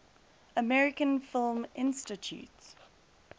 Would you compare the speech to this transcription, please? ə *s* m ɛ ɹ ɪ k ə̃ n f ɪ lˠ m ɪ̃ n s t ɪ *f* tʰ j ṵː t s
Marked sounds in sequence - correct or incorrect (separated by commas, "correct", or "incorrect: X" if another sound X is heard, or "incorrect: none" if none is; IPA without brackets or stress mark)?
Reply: incorrect: none, incorrect: none